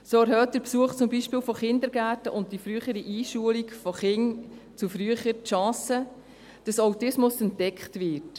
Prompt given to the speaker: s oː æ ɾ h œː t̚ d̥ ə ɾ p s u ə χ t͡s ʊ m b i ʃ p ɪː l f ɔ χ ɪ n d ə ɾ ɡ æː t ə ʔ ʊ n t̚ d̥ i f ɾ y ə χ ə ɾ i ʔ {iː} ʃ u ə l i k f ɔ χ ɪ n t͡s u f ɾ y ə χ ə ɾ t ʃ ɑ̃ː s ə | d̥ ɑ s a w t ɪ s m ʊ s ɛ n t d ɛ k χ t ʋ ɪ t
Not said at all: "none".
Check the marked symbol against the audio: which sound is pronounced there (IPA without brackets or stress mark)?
iː